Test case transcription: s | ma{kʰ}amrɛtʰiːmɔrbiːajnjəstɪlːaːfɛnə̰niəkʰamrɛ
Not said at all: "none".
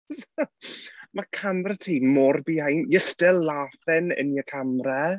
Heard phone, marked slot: kʰ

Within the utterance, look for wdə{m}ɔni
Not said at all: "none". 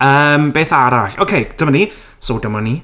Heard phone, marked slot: m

